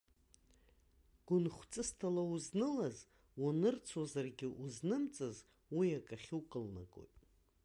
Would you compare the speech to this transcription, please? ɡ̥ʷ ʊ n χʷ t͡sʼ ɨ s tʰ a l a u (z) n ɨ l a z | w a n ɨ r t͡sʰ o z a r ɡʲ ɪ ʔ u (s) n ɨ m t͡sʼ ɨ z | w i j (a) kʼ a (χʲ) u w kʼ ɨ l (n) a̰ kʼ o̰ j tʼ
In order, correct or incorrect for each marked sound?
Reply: correct, incorrect, correct, correct, correct

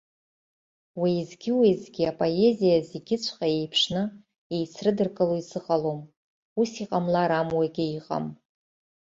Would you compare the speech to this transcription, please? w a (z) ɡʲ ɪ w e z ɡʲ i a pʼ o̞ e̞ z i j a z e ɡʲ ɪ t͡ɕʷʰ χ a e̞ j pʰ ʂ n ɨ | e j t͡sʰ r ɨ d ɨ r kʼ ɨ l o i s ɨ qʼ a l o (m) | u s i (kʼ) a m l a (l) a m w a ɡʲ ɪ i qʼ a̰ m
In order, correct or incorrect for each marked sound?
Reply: correct, correct, incorrect, incorrect

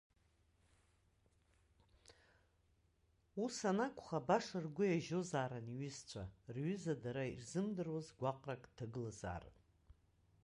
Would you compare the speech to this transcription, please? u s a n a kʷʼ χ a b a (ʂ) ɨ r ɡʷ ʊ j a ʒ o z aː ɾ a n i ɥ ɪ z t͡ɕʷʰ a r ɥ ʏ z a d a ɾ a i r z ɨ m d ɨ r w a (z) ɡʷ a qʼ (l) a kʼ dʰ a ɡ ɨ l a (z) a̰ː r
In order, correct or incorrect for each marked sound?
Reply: correct, correct, incorrect, correct

